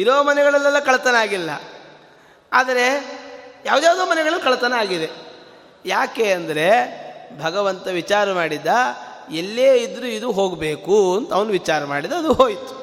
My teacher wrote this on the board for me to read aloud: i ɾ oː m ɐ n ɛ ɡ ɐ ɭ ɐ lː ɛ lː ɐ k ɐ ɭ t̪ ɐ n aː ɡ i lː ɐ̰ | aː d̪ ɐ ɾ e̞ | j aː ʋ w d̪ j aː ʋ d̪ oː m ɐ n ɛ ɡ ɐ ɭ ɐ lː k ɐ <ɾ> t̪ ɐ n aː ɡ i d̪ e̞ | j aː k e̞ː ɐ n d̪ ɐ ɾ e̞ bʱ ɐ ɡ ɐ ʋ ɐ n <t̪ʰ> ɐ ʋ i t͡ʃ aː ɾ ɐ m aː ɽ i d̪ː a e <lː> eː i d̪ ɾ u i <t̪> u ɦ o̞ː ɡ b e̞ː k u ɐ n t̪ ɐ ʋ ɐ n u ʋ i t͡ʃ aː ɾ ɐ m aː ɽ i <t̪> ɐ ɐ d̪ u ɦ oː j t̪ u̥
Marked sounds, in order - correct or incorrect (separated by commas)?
incorrect, incorrect, correct, incorrect, incorrect